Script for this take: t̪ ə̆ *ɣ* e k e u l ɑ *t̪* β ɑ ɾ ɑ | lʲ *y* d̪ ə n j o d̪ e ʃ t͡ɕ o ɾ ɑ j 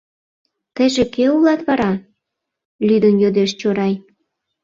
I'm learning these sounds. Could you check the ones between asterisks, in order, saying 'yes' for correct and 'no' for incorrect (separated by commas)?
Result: no, yes, yes